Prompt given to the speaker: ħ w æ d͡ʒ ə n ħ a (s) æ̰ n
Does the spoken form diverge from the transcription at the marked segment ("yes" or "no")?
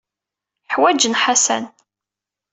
no